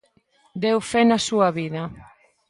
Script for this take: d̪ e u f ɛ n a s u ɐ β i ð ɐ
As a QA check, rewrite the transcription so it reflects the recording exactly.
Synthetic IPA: d̪ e w f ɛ n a s u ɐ β i ð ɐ